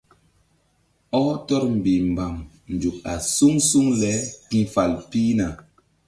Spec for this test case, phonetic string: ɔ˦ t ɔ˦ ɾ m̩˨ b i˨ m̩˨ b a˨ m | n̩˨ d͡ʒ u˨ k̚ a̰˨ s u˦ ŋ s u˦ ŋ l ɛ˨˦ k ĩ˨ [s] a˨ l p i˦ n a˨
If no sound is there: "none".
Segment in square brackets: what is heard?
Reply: f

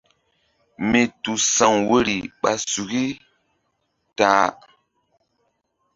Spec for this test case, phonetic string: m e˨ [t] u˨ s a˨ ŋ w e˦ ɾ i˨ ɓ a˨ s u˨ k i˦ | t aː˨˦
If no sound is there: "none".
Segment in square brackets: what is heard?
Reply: t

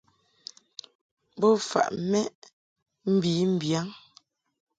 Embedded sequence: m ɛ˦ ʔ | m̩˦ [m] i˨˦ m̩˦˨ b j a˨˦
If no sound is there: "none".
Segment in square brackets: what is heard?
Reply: b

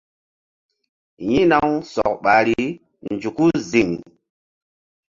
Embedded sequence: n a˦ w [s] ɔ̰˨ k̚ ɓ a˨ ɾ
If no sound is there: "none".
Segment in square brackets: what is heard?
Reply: s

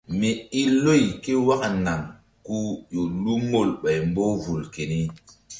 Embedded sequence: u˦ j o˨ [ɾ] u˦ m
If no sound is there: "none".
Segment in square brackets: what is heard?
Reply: l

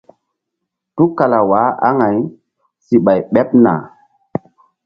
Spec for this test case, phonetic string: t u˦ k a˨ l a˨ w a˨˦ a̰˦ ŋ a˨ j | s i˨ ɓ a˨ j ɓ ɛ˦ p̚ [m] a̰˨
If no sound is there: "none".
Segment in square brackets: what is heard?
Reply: n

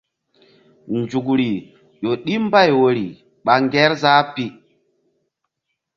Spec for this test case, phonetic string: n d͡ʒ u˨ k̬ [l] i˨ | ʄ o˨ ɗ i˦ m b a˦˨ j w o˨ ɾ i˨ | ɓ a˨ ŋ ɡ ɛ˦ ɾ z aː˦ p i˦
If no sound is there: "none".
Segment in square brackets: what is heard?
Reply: ɾ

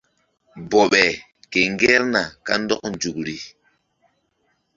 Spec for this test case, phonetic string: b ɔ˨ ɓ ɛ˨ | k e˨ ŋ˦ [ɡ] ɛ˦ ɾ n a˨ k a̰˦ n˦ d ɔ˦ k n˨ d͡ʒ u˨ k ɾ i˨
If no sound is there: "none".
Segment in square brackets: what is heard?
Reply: ɡ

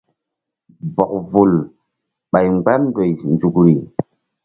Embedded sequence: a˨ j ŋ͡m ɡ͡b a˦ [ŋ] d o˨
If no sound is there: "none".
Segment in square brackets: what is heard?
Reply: n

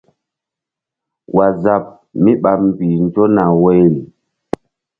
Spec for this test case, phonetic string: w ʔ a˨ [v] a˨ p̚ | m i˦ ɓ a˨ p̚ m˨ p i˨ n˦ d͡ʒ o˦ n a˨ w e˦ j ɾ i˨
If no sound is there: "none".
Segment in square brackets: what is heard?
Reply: z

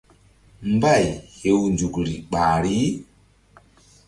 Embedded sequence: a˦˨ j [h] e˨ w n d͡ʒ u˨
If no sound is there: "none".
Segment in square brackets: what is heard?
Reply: h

